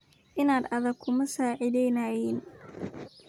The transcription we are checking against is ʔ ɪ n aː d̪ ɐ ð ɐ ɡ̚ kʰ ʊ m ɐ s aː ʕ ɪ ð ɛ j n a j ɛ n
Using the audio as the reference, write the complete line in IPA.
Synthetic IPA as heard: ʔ ɪ n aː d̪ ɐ ð ɐ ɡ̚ kʰ ʊ m ɐ s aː ʕ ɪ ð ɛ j n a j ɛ n